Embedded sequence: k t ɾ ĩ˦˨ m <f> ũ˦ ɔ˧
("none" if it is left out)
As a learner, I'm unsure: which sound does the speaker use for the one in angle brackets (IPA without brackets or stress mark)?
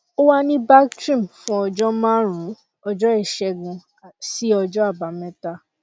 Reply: f